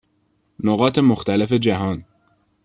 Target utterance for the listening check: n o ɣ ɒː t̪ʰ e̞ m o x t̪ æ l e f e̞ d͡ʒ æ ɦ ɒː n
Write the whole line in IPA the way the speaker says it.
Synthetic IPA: n o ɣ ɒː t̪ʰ e̞ m o x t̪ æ l e f e̞ d͡ʒ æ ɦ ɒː n